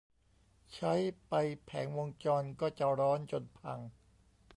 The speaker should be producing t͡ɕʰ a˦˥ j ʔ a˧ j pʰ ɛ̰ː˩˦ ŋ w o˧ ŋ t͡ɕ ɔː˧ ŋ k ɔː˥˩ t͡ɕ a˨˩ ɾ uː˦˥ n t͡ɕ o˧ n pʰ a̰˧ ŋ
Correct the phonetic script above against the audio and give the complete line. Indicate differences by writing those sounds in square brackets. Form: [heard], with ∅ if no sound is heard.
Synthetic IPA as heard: t͡ɕʰ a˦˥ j [p] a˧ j pʰ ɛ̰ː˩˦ ŋ w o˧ ŋ t͡ɕ ɔː˧ [n] k ɔː˥˩ t͡ɕ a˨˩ ɾ [ɔː˦˥] n t͡ɕ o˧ n pʰ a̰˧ ŋ